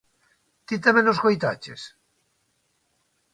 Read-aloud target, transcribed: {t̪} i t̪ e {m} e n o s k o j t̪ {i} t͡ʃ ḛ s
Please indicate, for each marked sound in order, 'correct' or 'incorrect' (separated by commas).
correct, correct, incorrect